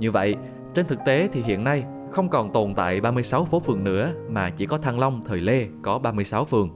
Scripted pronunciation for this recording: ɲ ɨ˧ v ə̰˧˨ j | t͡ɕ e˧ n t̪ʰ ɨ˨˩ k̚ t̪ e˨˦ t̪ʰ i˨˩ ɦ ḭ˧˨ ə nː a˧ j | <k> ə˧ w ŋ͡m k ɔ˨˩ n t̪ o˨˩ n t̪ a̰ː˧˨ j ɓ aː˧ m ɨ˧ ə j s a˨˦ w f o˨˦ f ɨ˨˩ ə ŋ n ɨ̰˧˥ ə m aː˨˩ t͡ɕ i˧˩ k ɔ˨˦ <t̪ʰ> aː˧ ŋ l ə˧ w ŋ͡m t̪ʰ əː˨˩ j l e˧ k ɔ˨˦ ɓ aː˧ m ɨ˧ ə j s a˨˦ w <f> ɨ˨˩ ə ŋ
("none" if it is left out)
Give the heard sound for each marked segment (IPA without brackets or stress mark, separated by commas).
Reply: x, t̪ʰ, f